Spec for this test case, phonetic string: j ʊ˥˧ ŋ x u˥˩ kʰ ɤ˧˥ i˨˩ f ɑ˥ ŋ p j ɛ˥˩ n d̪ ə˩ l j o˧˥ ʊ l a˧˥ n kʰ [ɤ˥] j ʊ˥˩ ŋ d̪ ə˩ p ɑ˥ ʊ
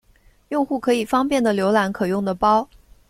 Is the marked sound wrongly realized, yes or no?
yes